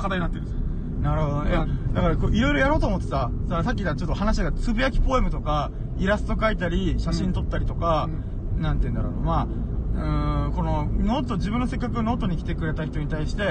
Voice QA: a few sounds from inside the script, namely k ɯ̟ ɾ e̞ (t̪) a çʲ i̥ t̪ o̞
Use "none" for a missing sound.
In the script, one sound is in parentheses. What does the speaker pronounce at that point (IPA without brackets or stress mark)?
t̪